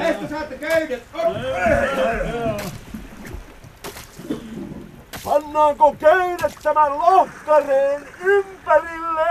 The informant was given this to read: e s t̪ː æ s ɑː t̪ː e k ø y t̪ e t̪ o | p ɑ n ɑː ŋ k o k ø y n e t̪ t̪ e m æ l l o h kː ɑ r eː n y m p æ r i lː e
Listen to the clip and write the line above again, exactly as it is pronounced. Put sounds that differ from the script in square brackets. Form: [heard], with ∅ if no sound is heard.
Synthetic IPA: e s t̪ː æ s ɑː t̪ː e k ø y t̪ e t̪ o | p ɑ [nː] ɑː ŋ k o k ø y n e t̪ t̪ [æ] m æ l l o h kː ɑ r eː n y m p æ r i lː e